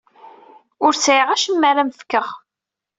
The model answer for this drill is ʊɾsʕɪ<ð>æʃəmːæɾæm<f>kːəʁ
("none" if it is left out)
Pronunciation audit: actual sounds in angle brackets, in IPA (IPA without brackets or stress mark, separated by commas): ʁ, f